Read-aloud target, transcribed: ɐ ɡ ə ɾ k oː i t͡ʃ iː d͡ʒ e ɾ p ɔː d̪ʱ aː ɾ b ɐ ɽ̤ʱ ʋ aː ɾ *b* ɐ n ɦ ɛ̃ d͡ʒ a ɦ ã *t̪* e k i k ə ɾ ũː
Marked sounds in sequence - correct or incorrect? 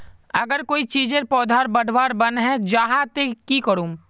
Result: correct, correct

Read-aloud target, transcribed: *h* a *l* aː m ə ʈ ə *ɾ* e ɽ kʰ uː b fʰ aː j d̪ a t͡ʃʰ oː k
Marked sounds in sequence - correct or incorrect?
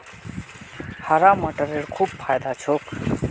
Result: correct, incorrect: ɾ, correct

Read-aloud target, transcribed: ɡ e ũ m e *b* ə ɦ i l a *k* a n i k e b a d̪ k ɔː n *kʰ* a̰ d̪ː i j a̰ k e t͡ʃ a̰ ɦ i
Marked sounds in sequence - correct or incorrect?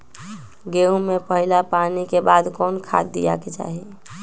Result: incorrect: p, incorrect: p, correct

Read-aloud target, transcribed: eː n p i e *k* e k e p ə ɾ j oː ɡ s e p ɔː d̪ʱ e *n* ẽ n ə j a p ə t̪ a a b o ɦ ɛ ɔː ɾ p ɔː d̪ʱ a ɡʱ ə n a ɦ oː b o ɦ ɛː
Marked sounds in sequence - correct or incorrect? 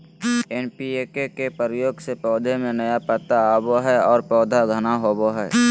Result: correct, incorrect: m

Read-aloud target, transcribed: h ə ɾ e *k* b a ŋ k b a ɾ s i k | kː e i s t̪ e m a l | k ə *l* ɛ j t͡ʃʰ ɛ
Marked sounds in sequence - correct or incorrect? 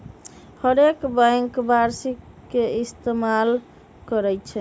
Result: correct, incorrect: ɾ

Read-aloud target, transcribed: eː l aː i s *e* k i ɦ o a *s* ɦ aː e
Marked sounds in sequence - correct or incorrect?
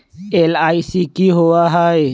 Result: incorrect: i, incorrect: none

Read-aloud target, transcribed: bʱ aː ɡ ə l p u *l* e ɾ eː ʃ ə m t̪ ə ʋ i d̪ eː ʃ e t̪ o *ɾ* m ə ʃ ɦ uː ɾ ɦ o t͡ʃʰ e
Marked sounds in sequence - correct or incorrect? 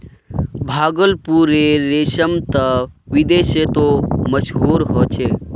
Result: incorrect: ɾ, incorrect: none

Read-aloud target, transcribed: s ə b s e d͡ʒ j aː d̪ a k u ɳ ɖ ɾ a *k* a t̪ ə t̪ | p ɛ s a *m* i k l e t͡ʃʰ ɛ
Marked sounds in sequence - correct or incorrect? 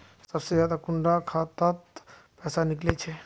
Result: incorrect: kʰ, incorrect: n

